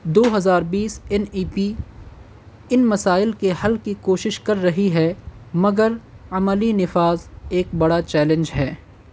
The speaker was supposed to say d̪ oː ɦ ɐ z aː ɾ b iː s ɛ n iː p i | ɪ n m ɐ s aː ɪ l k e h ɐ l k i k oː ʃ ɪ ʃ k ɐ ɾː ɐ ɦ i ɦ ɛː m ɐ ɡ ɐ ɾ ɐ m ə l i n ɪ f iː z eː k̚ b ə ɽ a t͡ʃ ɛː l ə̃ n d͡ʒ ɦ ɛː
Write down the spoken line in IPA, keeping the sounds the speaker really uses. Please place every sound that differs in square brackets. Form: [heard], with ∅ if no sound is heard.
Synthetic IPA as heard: d̪ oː ɦ ɐ z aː ɾ b iː s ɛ n iː p i | ɪ n m ɐ s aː ɪ l k e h ɐ l k i k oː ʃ ɪ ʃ k ɐ ɾː ɐ ɦ i ɦ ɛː m ɐ ɡ [ə] ɾ ɐ m ə l i n ɪ f [aː] z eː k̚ b [ɐ] ɽ a t͡ʃ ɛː l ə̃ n d͡ʒ ɦ ɛː

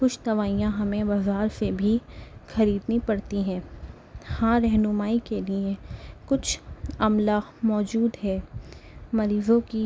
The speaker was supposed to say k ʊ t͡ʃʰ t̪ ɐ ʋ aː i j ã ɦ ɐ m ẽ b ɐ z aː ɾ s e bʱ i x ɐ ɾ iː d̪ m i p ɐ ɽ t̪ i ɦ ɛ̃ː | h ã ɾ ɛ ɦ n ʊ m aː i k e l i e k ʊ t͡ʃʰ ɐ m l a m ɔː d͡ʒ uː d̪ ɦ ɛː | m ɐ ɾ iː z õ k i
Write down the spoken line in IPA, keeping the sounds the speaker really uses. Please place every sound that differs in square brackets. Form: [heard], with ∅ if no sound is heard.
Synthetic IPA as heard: k ʊ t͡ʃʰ t̪ ɐ ʋ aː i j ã ɦ ɐ m ẽ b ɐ z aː ɾ s e bʱ i x ɐ ɾ iː d̪ [n] i p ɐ ɽ t̪ i ɦ ɛ̃ː | h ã ɾ ɛ ɦ n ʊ m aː i k e l i e k ʊ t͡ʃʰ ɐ m l a m ɔː d͡ʒ uː d̪ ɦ ɛː | m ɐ ɾ iː z õ k i

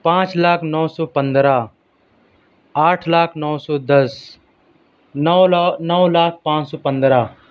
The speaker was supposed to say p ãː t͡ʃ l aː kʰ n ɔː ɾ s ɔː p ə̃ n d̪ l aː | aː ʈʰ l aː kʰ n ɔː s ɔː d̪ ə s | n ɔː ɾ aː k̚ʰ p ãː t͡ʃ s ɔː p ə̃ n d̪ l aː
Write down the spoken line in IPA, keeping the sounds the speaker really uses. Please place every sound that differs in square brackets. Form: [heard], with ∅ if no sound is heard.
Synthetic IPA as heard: p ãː t͡ʃ l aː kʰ n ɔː [∅] s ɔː p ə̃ n d̪ [ɾ] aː | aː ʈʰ l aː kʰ n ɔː s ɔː d̪ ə s | n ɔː [l] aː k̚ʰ p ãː t͡ʃ s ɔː p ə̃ n d̪ [ɾ] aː

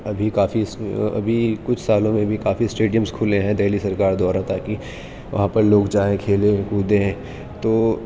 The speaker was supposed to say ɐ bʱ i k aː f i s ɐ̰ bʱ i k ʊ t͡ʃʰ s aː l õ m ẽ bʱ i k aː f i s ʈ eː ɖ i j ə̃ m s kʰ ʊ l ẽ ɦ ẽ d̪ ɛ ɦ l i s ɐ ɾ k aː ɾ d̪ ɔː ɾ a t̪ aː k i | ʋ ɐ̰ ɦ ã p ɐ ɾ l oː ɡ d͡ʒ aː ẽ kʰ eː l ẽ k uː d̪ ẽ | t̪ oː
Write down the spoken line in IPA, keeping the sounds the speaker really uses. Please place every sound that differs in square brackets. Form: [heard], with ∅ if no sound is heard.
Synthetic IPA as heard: ɐ bʱ i k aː f i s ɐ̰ bʱ i k ʊ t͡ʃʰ s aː l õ m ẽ bʱ i k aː f i s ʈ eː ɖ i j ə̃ m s kʰ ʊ l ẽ ɦ [ɛ̃] d̪ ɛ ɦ l i s ɐ ɾ k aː ɾ d̪ ɔː ɾ a t̪ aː k i | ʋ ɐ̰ ɦ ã p ɐ ɾ l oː ɡ d͡ʒ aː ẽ kʰ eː l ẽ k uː d̪ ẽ | t̪ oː

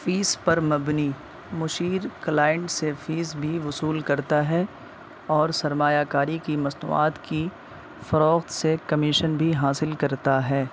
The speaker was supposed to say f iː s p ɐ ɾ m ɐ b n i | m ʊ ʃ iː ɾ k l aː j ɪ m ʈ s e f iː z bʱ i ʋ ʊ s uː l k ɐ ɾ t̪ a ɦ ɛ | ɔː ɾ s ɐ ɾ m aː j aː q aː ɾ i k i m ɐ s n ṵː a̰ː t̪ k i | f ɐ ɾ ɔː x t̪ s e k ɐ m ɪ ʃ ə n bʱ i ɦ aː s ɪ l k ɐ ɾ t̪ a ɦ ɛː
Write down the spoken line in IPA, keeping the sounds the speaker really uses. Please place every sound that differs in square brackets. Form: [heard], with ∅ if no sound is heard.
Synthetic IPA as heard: f iː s p ɐ ɾ m ɐ b n i | m ʊ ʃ iː ɾ k l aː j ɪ [ɳ] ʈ s e f iː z bʱ i ʋ ʊ s uː l k ɐ ɾ t̪ a ɦ ɛ | ɔː ɾ s ɐ ɾ m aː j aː [k] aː ɾ i k i m ɐ s n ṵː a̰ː t̪ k i | f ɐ ɾ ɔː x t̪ s e k ɐ m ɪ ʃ ə n bʱ i ɦ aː s ɪ l k ɐ ɾ t̪ a ɦ ɛː

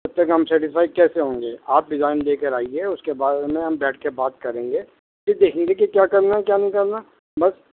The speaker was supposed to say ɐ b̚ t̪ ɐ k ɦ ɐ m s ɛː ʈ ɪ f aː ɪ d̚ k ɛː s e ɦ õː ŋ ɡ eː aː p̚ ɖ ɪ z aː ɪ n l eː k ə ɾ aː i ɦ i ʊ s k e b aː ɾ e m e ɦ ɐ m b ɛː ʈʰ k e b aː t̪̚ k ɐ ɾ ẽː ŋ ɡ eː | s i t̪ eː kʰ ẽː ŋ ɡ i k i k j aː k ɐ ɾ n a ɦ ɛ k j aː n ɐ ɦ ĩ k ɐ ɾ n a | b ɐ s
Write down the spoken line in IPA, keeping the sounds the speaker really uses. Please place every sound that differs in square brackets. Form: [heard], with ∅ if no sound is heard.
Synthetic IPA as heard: ɐ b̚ t̪ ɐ k ɦ ɐ m s ɛː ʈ ɪ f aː ɪ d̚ k ɛː s e ɦ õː ŋ ɡ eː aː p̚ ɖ ɪ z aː ɪ n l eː k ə ɾ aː i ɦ [ɛ] ʊ s k e b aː ɾ e m [ẽ] ɦ ɐ m b ɛː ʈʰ k e b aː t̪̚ k ɐ ɾ ẽː ŋ ɡ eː | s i [d̪] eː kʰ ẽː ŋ ɡ [e] k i k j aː k ɐ ɾ n a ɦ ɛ k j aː n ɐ ɦ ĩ k ɐ ɾ n a | b ɐ s

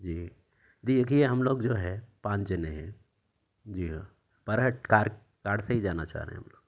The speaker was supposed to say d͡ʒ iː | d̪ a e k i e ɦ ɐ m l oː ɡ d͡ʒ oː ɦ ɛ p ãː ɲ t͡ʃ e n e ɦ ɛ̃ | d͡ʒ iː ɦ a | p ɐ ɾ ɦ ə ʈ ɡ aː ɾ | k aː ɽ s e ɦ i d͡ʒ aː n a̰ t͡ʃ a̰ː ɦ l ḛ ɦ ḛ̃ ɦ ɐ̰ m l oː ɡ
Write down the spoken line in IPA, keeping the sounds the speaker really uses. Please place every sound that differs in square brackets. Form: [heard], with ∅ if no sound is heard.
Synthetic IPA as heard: d͡ʒ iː | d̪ [i] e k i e ɦ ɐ m l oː ɡ d͡ʒ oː ɦ ɛ p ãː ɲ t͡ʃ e n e ɦ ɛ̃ | d͡ʒ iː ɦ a | p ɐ ɾ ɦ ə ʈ [k] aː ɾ | k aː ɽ s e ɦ i d͡ʒ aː n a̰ t͡ʃ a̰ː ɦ [ɾ] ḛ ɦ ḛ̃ ɦ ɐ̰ m l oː ɡ

